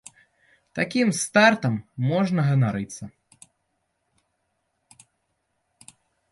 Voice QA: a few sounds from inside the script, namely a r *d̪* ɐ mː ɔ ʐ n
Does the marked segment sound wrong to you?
yes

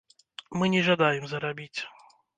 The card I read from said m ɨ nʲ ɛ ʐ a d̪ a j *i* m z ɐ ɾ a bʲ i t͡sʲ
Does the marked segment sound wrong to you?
yes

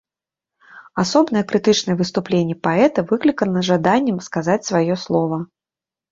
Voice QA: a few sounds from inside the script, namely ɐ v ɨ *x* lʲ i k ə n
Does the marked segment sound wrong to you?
yes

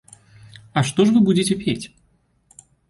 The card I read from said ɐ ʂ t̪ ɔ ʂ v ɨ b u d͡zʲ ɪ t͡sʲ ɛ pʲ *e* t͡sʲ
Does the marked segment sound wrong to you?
no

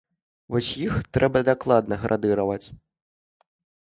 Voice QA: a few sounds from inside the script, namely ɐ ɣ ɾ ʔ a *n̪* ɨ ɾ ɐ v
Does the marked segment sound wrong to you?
yes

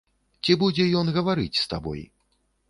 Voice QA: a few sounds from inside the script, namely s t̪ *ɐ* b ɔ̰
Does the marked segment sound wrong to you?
yes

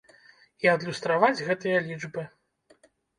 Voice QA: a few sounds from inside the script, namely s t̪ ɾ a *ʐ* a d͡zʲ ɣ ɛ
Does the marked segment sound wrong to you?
yes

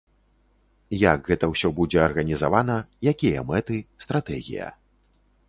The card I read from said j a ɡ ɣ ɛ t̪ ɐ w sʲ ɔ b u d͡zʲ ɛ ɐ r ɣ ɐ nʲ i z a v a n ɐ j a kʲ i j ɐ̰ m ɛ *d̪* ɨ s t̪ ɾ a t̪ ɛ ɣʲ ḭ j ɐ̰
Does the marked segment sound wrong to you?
yes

